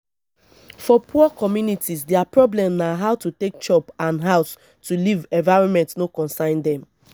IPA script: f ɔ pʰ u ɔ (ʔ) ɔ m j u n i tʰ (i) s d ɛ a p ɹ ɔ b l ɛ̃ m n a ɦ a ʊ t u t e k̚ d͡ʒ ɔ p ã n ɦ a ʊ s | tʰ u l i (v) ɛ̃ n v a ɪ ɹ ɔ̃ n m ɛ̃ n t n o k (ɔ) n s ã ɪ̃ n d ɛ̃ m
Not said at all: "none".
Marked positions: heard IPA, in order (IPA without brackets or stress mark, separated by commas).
k, i, v, ɔ̃